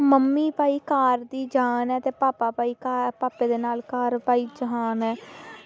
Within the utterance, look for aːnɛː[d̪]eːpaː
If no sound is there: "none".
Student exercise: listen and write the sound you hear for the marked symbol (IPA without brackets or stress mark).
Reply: t̪